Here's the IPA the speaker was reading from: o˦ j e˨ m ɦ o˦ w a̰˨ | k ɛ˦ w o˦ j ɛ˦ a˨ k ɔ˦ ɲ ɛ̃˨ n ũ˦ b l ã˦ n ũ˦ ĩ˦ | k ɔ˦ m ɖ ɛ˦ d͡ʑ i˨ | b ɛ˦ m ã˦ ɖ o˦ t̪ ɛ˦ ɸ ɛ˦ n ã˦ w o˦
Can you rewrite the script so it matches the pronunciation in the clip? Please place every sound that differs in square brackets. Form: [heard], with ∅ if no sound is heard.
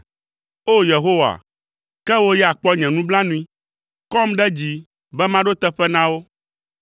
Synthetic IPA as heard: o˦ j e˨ [∅] ɦ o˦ w a̰˨ | k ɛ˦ w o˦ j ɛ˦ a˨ [k͡p] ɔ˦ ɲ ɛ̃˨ n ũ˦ b l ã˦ n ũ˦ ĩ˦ | k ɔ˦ m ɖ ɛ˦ d͡ʑ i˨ | b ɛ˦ m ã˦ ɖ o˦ t̪ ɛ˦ ɸ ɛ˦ n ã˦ w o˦

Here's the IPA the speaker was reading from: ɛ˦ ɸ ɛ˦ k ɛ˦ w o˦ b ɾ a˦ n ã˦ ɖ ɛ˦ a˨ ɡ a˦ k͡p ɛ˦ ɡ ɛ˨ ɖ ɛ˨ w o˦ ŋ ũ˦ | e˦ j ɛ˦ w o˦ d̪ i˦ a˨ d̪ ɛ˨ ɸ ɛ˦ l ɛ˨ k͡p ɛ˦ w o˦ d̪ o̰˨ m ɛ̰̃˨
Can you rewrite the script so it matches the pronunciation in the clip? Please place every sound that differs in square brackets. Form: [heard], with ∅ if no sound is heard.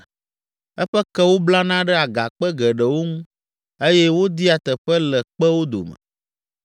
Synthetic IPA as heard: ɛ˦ ɸ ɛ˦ k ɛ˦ w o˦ b [l] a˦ n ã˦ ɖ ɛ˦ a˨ ɡ [a˨] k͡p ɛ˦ ɡ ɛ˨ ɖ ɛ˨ w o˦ ŋ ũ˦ | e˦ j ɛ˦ w o˦ d̪ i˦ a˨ [t̪] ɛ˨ ɸ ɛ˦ l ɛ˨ k͡p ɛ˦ w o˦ d̪ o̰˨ m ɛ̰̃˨

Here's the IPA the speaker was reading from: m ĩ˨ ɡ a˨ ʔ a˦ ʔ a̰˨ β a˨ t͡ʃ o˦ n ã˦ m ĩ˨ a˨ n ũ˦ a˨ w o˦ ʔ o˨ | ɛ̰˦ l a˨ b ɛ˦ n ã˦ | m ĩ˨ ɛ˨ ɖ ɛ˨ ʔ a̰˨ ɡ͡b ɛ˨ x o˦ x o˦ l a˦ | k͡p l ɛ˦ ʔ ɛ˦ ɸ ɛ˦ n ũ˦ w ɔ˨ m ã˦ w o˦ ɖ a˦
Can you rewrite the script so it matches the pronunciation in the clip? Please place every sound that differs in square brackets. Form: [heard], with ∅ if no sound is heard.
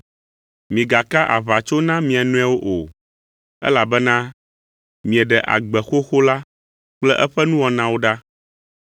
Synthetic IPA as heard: m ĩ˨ ɡ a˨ [k] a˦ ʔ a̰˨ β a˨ t͡ʃ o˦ n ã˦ m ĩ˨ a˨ n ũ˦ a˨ w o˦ ʔ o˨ | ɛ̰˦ l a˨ b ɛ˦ n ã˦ | m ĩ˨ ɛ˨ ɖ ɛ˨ ʔ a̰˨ ɡ͡b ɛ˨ x o˦ x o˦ l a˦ | k͡p l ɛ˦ ʔ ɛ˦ ɸ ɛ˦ n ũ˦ w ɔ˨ [n] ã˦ w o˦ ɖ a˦

